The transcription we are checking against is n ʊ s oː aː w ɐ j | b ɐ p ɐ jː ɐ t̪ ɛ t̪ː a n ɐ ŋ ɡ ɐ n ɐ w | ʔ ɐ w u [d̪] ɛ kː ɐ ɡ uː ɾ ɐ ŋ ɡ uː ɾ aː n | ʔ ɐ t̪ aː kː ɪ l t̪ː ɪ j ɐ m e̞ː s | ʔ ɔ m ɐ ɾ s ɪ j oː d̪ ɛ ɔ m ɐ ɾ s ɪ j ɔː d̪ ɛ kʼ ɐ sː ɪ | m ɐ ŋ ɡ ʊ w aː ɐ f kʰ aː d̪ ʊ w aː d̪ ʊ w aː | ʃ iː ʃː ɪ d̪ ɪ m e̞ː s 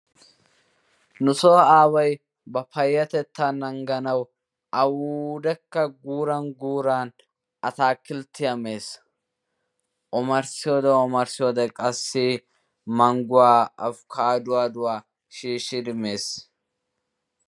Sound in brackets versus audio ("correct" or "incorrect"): correct